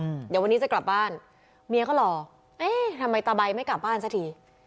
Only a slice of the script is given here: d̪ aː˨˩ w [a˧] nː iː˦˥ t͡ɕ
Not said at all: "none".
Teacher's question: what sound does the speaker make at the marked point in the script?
a˧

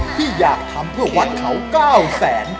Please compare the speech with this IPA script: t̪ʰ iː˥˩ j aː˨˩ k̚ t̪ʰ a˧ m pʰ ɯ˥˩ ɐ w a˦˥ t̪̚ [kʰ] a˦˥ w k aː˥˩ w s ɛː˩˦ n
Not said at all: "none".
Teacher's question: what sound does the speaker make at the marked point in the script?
kʰ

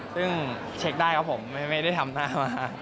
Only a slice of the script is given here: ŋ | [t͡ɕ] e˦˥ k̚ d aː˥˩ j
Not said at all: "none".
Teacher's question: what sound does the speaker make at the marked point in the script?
t͡ɕʰ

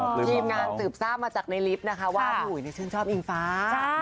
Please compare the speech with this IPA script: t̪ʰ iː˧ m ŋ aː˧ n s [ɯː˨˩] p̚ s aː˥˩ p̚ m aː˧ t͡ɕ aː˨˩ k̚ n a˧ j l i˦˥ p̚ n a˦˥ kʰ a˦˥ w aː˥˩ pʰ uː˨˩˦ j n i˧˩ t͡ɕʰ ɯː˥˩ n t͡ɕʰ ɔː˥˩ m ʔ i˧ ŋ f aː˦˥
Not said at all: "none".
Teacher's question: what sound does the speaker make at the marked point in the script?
ɯː˨˩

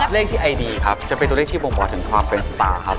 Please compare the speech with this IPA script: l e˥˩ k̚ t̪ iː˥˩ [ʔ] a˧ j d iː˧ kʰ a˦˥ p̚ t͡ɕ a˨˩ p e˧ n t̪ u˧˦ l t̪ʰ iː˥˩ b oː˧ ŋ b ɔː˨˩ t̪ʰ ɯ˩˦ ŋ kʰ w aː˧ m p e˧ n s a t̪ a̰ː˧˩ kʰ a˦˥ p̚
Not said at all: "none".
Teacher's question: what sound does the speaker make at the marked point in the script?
ʔ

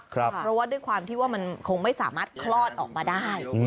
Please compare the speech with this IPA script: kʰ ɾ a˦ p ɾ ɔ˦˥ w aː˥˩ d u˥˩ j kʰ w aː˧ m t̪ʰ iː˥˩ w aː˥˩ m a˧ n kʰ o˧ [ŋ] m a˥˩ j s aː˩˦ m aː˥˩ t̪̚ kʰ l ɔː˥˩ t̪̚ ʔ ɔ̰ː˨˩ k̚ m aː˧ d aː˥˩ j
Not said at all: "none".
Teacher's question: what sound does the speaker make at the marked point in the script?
ŋ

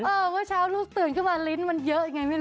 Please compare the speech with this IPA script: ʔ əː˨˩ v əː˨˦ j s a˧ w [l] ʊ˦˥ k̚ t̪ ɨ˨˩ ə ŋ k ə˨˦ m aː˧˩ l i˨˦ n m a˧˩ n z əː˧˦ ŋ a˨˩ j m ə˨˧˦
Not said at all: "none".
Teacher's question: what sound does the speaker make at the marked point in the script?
l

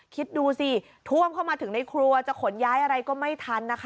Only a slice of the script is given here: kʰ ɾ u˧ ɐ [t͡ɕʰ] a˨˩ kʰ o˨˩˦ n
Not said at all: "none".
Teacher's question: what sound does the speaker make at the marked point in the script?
t͡ɕ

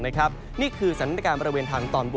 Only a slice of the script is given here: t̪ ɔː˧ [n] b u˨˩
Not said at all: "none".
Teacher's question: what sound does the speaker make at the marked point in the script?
n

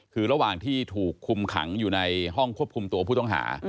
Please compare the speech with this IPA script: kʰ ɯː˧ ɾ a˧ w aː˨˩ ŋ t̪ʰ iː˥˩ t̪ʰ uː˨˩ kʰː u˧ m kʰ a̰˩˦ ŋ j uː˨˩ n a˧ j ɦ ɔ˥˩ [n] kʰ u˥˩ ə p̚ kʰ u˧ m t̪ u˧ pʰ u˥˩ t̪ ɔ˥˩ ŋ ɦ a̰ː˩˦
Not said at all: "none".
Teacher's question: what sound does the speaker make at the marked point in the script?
ŋ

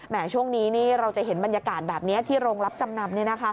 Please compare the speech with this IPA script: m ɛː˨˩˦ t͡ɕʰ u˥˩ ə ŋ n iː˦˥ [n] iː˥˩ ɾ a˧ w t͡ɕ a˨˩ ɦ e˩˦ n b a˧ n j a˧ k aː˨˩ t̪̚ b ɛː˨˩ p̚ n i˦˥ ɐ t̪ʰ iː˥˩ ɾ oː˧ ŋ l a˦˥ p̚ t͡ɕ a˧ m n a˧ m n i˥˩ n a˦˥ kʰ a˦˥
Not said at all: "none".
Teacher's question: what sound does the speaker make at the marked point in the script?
n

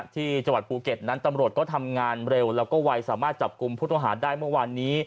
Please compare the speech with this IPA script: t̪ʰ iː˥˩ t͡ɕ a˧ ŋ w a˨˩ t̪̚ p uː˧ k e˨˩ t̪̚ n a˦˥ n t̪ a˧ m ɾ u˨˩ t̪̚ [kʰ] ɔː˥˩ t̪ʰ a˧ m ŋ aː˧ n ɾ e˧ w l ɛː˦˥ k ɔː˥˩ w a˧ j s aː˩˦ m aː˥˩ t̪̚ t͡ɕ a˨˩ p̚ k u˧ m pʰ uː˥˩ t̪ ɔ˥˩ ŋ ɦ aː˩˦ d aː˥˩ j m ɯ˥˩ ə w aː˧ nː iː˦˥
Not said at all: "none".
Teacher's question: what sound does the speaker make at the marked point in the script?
k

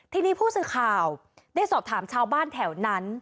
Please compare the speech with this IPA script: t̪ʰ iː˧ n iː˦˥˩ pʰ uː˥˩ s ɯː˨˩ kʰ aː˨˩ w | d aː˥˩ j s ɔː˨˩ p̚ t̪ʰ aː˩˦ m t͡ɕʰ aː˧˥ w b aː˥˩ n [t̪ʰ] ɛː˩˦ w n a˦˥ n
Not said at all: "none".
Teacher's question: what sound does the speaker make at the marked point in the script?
t̪ʰ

